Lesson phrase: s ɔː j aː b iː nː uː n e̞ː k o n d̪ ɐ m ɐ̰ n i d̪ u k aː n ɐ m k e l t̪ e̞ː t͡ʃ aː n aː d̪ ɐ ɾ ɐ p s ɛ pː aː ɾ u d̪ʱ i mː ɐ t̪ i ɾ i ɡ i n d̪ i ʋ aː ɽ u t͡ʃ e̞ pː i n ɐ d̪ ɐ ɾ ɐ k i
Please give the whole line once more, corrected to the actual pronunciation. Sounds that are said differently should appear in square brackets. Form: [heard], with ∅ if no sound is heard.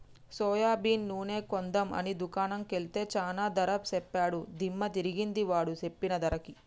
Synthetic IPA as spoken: s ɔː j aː b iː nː uː n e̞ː k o n d̪ ɐ m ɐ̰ n i d̪ u k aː n ɐ m k e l t̪ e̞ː t͡ʃ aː n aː d̪ ɐ ɾ ɐ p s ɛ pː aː [ɽ] u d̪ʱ i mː ɐ t̪ i ɾ i ɡ i n d̪ i ʋ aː ɽ u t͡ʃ e̞ pː i n ɐ d̪ ɐ ɾ ɐ k i

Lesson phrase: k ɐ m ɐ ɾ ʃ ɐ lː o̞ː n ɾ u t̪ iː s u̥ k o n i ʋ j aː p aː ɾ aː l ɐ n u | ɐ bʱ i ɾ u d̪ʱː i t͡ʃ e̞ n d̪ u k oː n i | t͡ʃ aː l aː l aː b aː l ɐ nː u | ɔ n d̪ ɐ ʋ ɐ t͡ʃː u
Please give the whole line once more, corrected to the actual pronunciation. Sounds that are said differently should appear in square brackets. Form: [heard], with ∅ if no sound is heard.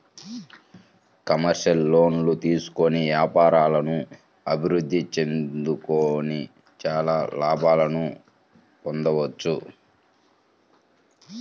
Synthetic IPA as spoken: k ɐ m ɐ ɾ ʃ ɐ lː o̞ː n [l] u t̪ iː s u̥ k o n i ʋ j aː p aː ɾ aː l ɐ n u | ɐ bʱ i ɾ u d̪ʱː i t͡ʃ e̞ n d̪ u k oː n i | t͡ʃ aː l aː l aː b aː l ɐ [n] u | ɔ n d̪ ɐ ʋ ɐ t͡ʃː u

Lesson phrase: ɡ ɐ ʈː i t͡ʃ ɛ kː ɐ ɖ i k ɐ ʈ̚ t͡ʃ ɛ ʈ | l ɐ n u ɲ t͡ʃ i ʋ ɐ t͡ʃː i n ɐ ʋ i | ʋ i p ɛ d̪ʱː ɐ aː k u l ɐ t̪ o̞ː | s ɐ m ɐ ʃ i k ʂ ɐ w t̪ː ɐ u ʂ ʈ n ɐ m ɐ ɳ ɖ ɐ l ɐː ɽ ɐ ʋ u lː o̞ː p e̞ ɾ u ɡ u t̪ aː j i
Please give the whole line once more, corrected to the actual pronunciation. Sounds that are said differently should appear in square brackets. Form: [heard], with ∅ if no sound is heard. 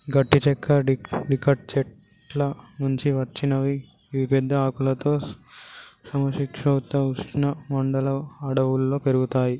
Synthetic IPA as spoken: ɡ ɐ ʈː i t͡ʃ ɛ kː ɐ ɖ i k ɐ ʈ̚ t͡ʃ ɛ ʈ | l ɐ n u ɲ t͡ʃ i ʋ ɐ t͡ʃː i n ɐ ʋ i | ʋ i p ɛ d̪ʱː ɐ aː k u l ɐ t̪ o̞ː | s ɐ m ɐ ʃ i k ʂ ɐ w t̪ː ɐ u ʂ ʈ n ɐ m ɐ ɳ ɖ ɐ l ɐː ɽ ɐ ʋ u lː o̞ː p e̞ ɾ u ɡ u t̪ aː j i

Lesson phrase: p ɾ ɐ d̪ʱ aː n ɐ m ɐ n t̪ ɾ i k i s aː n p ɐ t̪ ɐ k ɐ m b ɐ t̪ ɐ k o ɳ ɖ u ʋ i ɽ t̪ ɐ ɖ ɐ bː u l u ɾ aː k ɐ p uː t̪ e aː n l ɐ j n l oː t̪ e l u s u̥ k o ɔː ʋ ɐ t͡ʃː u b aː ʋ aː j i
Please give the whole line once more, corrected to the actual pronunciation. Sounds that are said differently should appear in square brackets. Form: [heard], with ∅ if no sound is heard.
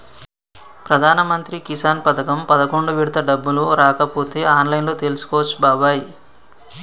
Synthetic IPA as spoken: p ɾ ɐ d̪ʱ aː n ɐ m ɐ n t̪ ɾ i k i s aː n p ɐ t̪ ɐ k ɐ m [p] ɐ [d̪] ɐ k o ɳ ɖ u ʋ i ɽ t̪ ɐ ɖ ɐ bː u l u ɾ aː k ɐ p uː t̪ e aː n l ɐ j n l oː t̪ e l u s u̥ k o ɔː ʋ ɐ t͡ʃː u b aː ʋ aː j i

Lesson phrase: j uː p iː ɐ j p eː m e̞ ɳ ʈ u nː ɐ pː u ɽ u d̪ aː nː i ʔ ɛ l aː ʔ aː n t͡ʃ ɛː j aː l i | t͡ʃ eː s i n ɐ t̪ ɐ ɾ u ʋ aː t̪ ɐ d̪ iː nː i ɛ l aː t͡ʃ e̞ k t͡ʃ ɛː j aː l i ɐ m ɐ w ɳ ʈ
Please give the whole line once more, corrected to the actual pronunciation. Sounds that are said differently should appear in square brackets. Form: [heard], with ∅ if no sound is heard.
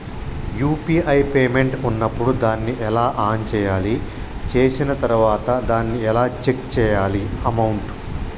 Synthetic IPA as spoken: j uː p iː ɐ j p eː m e̞ ɳ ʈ u nː ɐ pː u ɽ u d̪ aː nː i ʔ ɛ l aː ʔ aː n t͡ʃ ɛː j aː l i | t͡ʃ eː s i n ɐ t̪ ɐ ɾ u ʋ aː t̪ ɐ d̪ [aː] nː i ɛ l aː t͡ʃ e̞ k t͡ʃ ɛː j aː l i ɐ m ɐ w ɳ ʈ

